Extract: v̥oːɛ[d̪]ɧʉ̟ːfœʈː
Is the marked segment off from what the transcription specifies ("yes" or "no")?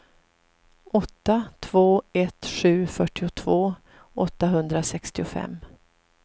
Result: yes